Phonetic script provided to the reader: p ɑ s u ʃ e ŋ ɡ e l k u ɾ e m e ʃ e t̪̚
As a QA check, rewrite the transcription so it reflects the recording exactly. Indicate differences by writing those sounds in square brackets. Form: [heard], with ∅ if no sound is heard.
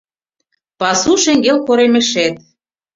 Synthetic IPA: p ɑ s u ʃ e ŋ ɡ e l k [o] ɾ e m e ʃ e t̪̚